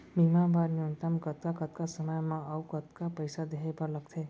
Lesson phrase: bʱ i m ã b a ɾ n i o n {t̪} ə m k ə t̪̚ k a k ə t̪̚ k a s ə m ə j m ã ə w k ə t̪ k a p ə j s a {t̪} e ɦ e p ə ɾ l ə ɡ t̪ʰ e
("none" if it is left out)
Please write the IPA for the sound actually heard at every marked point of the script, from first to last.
t̪, d̪

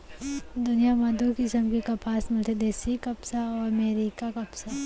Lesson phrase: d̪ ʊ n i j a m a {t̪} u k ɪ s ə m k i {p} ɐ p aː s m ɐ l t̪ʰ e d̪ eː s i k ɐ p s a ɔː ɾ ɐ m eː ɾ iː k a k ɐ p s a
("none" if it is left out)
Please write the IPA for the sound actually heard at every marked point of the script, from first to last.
d̪, k

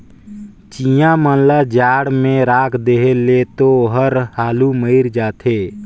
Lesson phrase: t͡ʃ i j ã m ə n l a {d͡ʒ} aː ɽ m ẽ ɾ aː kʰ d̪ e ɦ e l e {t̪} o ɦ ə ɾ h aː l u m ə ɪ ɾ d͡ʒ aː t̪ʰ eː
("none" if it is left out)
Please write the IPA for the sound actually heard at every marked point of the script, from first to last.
d͡ʒ, t̪

